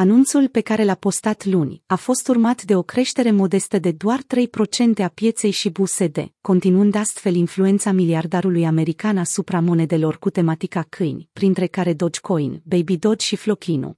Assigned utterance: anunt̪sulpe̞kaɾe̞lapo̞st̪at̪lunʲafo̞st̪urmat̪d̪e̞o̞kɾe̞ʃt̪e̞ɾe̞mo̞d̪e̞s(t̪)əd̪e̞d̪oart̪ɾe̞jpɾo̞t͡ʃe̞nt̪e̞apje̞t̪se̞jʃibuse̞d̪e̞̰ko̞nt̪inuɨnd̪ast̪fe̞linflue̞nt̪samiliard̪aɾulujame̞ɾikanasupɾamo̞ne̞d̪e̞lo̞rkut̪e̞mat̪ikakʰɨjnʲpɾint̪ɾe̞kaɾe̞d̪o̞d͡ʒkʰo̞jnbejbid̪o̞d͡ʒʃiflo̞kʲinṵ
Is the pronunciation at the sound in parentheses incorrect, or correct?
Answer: correct